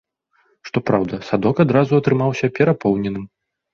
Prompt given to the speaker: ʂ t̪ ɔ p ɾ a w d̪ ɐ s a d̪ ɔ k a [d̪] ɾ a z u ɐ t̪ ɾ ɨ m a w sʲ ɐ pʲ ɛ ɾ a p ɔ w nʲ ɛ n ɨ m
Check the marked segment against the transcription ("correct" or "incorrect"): correct